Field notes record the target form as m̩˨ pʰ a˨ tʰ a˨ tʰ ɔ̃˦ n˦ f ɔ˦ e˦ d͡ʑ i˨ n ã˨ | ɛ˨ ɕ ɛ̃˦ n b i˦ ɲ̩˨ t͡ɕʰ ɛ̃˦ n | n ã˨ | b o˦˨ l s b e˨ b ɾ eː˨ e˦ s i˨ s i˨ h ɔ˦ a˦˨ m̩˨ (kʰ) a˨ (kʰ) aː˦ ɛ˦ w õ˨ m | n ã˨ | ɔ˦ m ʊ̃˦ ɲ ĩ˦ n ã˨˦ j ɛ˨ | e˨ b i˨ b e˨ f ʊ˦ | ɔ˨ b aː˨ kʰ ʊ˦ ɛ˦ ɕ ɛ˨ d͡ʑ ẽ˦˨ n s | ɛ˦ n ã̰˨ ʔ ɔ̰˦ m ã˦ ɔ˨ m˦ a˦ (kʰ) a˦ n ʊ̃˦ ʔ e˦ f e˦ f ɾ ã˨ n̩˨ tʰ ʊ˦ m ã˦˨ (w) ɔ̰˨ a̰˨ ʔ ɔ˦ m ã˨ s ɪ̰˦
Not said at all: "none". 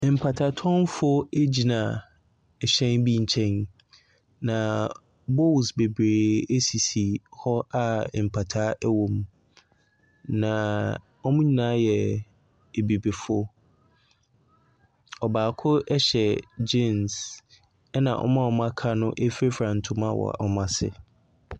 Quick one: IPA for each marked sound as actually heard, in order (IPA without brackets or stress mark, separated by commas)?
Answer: pʰ, tʰ, kʰ, w